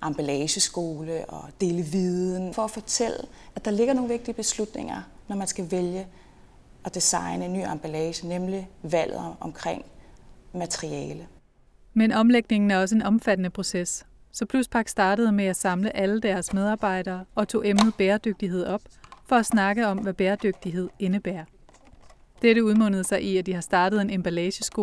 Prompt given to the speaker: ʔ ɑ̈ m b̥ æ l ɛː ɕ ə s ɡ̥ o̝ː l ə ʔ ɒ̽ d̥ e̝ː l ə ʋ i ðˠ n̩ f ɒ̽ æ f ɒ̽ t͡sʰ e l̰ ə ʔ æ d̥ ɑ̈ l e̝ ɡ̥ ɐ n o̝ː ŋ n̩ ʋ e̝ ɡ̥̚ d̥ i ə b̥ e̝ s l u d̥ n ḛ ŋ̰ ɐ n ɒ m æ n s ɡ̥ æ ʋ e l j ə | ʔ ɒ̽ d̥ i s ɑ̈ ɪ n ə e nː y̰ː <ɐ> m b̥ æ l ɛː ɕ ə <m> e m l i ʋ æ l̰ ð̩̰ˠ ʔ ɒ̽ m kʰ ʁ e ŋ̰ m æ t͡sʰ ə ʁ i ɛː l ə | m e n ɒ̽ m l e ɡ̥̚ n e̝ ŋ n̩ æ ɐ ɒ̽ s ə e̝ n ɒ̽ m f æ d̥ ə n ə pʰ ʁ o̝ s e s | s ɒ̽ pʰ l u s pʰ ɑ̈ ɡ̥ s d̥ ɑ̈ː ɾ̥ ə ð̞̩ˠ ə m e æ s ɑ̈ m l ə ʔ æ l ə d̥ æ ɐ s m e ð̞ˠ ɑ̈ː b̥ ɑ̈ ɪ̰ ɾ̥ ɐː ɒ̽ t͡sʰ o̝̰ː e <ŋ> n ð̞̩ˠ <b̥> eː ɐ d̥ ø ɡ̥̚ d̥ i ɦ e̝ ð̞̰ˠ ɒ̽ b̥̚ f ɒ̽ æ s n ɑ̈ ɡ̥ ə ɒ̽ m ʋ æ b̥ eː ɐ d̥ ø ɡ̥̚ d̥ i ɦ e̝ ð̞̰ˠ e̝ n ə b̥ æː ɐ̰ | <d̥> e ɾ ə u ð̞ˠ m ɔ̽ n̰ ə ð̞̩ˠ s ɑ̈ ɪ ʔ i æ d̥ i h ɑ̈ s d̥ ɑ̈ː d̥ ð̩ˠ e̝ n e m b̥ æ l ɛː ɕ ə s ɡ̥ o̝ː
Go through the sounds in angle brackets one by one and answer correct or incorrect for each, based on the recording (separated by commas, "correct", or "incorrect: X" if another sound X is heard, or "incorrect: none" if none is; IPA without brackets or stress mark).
incorrect: ɑ, incorrect: n, incorrect: m, correct, correct